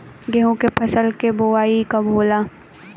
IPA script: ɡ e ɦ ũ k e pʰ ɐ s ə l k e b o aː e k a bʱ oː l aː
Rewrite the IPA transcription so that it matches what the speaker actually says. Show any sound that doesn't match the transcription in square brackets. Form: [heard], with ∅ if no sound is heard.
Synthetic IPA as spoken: ɡ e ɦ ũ k e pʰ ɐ s ə l k e b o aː [i] k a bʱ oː l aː